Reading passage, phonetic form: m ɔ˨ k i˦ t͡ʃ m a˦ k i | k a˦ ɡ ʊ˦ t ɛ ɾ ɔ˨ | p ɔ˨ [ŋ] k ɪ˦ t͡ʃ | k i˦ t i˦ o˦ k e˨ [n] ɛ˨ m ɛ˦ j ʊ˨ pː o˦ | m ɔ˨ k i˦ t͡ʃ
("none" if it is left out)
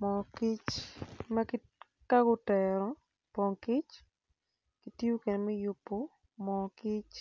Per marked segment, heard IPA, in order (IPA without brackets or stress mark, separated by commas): ŋ, n